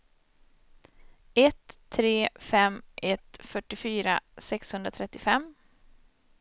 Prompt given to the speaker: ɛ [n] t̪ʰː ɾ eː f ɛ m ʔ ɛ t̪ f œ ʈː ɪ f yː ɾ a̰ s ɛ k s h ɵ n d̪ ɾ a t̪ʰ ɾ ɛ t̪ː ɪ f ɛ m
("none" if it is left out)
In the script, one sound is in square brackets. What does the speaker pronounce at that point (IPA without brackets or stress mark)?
none